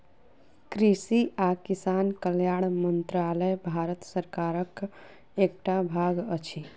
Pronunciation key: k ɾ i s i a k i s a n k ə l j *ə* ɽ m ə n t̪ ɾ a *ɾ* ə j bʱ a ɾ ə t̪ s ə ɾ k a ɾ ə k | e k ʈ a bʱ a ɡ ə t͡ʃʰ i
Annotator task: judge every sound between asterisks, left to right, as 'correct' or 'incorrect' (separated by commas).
incorrect, incorrect